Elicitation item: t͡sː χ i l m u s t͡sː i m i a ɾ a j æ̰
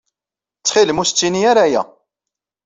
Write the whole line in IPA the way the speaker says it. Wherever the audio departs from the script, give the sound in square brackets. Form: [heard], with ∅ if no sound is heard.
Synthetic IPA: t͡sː χ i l m u s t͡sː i [n] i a ɾ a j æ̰